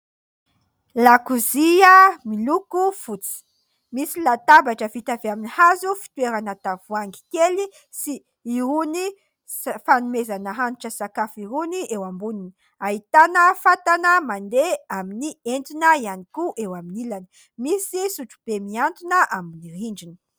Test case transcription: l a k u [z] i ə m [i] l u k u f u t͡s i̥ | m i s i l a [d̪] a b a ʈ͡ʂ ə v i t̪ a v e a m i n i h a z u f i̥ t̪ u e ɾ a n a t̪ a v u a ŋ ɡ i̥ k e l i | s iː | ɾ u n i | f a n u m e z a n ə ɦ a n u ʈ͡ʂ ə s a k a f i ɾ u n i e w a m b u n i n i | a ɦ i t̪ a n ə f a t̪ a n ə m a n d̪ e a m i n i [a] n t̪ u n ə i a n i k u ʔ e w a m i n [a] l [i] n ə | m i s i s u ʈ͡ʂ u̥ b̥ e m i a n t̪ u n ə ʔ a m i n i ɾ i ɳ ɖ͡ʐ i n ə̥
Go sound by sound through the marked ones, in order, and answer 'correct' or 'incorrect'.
correct, correct, incorrect: t̪, incorrect: e, incorrect: i, incorrect: a

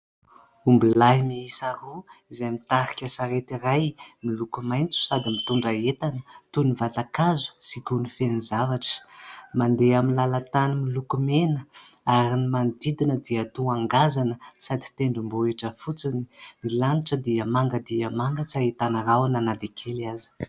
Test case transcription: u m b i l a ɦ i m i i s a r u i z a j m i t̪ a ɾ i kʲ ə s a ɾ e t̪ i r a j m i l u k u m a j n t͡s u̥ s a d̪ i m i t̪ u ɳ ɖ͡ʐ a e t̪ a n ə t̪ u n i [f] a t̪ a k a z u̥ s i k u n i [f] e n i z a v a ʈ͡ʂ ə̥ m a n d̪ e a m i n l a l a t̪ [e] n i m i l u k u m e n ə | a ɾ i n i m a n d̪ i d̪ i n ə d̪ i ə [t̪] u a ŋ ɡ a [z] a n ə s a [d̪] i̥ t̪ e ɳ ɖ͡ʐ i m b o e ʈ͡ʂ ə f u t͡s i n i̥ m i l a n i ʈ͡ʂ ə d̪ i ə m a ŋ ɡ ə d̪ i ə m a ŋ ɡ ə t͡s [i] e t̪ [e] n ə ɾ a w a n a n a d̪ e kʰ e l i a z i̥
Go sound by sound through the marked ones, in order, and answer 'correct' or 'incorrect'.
incorrect: v, correct, incorrect: a, correct, correct, correct, incorrect: a, incorrect: a

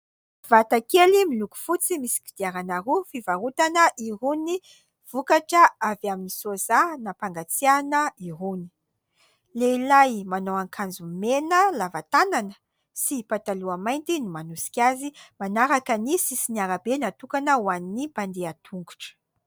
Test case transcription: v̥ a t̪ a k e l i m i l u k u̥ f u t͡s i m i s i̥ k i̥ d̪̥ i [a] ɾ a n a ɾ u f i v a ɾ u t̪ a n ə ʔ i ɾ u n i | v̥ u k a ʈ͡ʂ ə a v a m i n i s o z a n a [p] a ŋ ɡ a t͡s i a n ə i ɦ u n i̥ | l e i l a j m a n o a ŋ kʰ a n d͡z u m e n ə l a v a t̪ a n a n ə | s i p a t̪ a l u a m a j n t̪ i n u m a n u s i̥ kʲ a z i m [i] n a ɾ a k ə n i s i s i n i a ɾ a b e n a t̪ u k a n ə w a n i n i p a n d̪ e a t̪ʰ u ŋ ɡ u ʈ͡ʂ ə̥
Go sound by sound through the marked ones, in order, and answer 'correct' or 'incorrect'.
correct, correct, incorrect: a

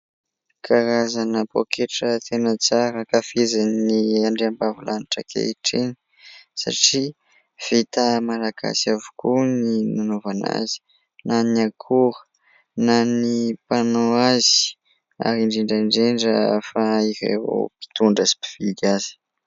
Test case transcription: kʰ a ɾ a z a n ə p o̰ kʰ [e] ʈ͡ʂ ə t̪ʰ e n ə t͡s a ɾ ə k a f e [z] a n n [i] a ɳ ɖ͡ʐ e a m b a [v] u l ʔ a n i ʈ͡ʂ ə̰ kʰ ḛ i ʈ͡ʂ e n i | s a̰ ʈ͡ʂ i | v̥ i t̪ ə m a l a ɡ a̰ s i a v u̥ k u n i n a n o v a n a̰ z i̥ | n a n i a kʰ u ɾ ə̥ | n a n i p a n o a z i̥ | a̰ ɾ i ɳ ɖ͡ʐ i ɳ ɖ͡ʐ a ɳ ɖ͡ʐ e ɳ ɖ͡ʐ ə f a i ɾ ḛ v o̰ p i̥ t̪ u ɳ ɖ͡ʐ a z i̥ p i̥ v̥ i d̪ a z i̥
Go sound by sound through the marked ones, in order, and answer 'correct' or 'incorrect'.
correct, correct, correct, correct

